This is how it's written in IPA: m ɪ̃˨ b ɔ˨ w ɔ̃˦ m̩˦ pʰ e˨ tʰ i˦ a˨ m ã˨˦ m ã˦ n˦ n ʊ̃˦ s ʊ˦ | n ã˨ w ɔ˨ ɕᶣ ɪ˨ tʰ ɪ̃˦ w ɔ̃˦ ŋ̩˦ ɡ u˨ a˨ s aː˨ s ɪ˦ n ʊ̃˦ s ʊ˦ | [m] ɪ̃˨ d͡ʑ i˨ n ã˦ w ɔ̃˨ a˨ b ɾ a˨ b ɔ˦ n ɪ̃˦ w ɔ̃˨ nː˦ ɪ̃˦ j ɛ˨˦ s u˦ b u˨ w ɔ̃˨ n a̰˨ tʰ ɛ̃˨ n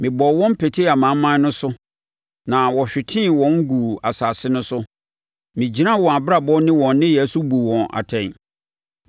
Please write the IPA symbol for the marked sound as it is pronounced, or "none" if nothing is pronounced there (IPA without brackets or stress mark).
m